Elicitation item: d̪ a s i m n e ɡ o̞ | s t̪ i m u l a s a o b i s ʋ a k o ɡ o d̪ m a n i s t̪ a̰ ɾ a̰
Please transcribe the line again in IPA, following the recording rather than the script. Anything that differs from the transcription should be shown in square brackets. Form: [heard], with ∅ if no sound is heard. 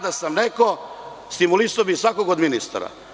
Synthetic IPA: d̪ a s [a] m n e [k] o̞ | s t̪ i m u l [i] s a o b i s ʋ a k o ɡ o d̪ m [i] n i s t̪ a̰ ɾ a̰